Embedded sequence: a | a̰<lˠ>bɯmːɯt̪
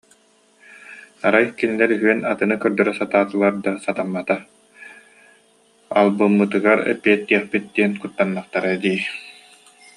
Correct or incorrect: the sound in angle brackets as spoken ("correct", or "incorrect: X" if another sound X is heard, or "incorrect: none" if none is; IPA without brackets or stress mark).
correct